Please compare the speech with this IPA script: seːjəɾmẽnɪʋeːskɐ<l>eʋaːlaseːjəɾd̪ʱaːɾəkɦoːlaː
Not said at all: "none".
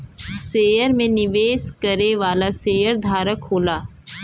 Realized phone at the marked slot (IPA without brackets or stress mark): ɾ